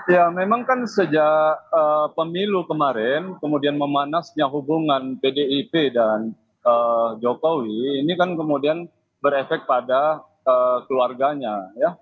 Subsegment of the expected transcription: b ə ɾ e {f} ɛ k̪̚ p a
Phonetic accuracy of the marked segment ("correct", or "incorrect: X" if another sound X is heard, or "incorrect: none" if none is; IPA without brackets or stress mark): correct